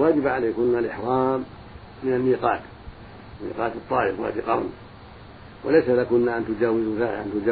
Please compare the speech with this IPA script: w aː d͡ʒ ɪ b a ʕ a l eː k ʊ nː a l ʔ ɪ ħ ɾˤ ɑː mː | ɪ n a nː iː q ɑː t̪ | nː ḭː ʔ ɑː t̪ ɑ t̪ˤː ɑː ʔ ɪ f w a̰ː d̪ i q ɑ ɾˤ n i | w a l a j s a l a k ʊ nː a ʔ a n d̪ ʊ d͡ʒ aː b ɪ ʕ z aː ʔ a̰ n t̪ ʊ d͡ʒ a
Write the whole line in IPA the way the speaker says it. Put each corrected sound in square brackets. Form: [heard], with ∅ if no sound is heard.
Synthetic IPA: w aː d͡ʒ ɪ b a ʕ a l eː k ʊ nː a l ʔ ɪ ħ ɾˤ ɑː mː | ɪ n a nː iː q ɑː t̪ | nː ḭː [q] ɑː t̪ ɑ t̪ˤː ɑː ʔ ɪ f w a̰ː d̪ i q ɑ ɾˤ n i | w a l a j s a l a k ʊ nː a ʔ a n [t̪] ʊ d͡ʒ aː [w] ɪ [z] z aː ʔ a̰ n t̪ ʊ d͡ʒ a